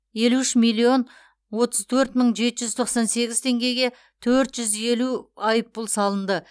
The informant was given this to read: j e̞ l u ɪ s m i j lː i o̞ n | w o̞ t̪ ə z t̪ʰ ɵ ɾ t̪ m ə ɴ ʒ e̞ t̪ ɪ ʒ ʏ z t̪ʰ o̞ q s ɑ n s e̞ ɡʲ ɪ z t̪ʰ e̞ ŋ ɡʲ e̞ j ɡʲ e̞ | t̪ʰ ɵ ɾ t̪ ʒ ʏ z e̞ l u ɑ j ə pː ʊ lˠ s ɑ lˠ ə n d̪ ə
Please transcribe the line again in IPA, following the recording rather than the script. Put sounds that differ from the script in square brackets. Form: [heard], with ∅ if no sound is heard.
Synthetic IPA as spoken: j e̞ l u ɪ [ʃ] m i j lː i o̞ n | w o̞ t̪ ə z t̪ʰ ɵ ɾ t̪ m ə ɴ ʒ e̞ t̪ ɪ ʒ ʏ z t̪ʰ o̞ q s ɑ n s e̞ ɡʲ ɪ z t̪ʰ e̞ ŋ ɡʲ e̞ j ɡʲ e̞ | t̪ʰ ɵ ɾ t̪ ʒ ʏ z e̞ l u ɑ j ə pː ʊ lˠ s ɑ lˠ ə n d̪ ə